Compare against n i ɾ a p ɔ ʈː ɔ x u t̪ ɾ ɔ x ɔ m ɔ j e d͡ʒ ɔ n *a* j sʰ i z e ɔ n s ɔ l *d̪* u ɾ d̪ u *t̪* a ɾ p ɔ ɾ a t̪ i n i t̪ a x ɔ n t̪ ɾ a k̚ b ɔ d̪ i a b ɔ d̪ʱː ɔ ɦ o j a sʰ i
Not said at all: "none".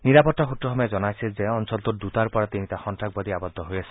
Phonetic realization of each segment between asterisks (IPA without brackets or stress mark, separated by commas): a, t̪, t̪